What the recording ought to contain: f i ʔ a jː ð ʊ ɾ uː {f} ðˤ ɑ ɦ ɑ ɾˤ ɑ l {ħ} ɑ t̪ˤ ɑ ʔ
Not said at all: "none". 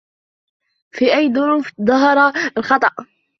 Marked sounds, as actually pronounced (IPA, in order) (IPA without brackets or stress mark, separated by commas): f, x